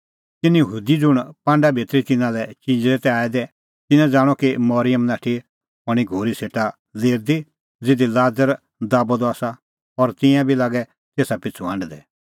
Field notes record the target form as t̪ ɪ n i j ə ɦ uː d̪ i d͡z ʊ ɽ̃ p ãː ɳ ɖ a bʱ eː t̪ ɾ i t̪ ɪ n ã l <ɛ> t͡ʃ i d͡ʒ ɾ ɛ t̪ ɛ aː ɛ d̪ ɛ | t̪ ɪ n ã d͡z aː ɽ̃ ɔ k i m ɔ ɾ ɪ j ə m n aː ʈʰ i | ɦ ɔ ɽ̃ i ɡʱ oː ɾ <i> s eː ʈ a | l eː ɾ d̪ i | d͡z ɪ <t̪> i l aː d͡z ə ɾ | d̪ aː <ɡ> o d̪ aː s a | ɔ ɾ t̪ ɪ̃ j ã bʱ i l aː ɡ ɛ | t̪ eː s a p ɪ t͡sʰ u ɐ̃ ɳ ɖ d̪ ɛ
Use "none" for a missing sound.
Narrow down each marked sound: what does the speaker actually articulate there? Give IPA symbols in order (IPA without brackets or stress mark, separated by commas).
ɛ, i, d̪, b